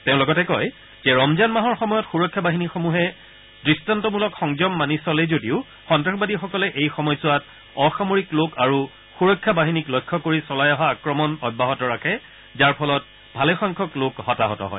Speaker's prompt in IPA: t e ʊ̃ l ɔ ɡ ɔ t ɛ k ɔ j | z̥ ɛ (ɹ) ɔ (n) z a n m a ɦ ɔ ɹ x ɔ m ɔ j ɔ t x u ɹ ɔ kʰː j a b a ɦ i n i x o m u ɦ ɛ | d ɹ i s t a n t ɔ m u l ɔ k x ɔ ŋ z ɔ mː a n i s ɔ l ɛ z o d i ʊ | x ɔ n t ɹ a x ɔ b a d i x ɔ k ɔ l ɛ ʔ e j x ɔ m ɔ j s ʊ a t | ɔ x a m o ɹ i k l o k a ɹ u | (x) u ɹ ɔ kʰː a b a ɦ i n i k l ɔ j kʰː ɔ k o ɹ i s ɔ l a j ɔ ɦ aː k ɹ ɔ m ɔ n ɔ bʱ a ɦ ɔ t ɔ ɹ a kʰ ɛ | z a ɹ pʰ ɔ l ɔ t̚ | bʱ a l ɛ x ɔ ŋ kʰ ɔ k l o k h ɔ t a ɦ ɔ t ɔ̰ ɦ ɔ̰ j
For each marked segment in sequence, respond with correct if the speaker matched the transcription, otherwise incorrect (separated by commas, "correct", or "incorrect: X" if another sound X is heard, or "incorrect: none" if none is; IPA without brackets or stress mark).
correct, incorrect: m, correct